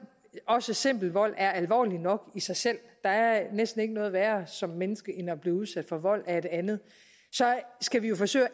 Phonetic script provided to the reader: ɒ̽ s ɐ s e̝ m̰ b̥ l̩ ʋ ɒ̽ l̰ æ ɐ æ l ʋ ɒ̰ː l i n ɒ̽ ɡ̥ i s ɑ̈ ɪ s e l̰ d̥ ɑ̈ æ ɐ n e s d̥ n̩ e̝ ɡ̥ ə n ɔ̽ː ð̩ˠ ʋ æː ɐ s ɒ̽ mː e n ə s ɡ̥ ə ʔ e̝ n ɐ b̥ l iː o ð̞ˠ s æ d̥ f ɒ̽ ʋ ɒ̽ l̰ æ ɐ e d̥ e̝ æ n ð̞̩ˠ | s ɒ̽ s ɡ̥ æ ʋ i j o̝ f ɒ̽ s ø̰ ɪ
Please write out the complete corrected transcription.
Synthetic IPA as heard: ɒ̽ s ə s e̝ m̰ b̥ l̩ ʋ ɒ̽ l̰ æ ɐ æ l ʋ ɒ̰ː l i n ɒ̽ ɡ̥ i s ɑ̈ ɪ s e l̰ d̥ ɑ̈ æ ɐ n e s d̥ n̩ e̝ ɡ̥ ə n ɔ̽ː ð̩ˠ ʋ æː ɐ s ɒ̽ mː e n ə s ɡ̥ ə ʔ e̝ n ɐ b̥ l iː u ð̞ˠ s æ d̥ f ɒ̽ ʋ ɒ̽ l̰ æ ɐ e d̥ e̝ æ n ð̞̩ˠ | s ɒ̽ s ɡ̥ æ ʋ i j o̝ f ɒ̽ s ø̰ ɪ